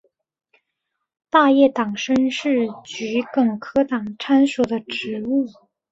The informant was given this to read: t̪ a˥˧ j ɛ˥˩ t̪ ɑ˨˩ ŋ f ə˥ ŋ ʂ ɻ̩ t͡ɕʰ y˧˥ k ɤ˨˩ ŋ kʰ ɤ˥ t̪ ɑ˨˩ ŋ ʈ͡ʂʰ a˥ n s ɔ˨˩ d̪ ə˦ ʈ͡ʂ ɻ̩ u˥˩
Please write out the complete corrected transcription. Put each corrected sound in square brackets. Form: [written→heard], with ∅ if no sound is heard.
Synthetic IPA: t̪ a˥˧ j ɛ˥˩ t̪ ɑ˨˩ ŋ [f→ʂ] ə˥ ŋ ʂ ɻ̩ [t͡ɕʰ→t͡ɕ] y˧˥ k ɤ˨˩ ŋ kʰ ɤ˥ t̪ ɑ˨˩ ŋ ʈ͡ʂʰ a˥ n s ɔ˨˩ d̪ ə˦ ʈ͡ʂ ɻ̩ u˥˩